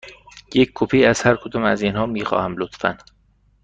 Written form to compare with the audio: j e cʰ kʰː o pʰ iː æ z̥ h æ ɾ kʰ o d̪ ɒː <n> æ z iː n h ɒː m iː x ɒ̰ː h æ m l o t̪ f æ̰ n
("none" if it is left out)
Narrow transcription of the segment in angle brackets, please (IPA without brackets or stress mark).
m